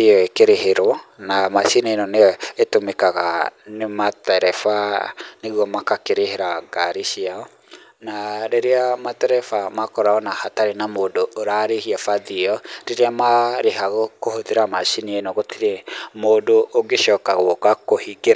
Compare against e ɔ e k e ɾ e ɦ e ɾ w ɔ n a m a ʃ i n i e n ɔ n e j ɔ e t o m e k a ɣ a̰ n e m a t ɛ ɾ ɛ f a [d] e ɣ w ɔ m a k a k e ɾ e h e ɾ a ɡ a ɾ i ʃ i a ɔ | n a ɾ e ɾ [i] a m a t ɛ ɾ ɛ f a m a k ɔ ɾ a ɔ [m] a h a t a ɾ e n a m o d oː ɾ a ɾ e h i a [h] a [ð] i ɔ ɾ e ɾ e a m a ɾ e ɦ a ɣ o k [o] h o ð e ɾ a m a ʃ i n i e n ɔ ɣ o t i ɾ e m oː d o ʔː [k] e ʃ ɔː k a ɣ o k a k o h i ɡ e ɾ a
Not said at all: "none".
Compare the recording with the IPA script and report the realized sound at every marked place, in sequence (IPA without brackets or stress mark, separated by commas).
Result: n, e, n, f, ð, o, ɡ